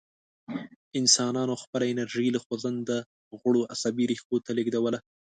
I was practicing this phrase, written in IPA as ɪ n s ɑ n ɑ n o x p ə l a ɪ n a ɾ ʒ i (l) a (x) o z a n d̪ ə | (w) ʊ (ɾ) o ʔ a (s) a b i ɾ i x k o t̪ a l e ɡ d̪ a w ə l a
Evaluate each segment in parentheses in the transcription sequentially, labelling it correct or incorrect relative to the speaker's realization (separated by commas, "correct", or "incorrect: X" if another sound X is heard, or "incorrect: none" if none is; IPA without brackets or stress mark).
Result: correct, correct, incorrect: ɣ, incorrect: ɽ, correct